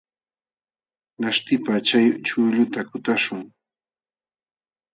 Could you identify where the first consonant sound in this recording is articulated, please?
alveolar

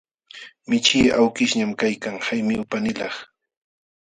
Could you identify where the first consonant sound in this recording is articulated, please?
labial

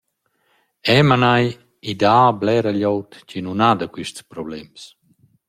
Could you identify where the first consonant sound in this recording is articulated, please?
labial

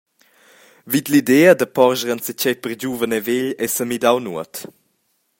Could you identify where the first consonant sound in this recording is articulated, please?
labial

